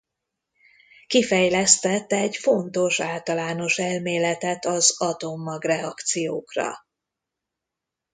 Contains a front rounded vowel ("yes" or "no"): no